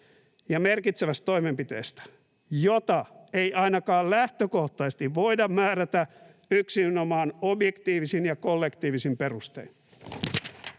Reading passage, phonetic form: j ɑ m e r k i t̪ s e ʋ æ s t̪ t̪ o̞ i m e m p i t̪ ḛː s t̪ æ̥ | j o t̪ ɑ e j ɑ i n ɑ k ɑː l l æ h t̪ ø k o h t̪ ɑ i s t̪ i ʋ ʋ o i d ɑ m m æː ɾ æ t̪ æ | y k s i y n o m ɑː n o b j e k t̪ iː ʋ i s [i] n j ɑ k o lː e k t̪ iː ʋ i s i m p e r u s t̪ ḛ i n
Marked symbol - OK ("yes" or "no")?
yes